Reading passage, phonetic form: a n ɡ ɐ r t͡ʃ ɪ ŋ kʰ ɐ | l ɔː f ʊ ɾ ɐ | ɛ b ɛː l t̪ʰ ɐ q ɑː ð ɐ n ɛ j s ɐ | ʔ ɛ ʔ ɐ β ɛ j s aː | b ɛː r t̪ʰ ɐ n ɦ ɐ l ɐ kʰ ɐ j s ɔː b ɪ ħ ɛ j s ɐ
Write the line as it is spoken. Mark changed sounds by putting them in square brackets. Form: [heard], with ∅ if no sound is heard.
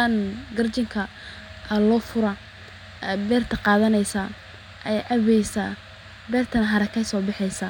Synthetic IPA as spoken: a n ɡ ɐ r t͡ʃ ɪ ŋ kʰ ɐ | l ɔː f ʊ ɾ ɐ | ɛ b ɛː [r] t̪ʰ ɐ q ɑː ð ɐ n ɛ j s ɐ | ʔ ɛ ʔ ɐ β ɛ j s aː | b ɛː r t̪ʰ ɐ n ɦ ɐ [ɾ] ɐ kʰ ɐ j s ɔː b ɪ ħ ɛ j s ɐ